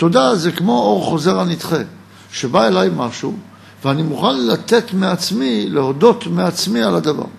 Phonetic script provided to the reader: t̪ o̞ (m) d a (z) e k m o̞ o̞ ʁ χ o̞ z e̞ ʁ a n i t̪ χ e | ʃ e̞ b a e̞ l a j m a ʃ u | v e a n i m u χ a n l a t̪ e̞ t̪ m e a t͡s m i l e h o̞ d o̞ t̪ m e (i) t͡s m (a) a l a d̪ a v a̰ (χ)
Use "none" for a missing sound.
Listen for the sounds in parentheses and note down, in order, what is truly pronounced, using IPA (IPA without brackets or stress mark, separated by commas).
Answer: none, z, a, i, ʁ